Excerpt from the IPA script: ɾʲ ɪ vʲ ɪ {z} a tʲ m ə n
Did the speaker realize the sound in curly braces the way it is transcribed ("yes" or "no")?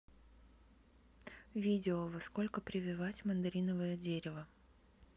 no